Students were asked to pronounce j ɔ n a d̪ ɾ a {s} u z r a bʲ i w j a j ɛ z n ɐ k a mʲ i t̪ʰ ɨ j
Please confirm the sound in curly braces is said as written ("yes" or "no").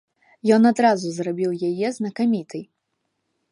no